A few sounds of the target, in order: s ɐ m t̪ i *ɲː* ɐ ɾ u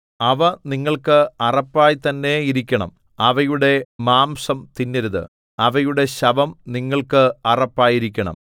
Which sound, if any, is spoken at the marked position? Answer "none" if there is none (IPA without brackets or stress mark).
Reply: nː